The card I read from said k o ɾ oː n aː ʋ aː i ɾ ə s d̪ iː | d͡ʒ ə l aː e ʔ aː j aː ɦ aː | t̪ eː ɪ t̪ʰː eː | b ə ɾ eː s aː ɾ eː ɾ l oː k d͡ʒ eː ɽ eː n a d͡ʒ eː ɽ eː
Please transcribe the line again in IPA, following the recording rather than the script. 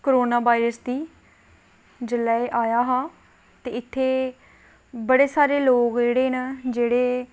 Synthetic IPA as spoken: k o ɾ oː n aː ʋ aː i ɾ ə s d̪ iː | d͡ʒ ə l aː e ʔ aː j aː ɦ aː | t̪ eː ɪ t̪ʰː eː | b ə ɽ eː s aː ɾ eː l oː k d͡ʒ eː ɽ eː n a d͡ʒ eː ɽ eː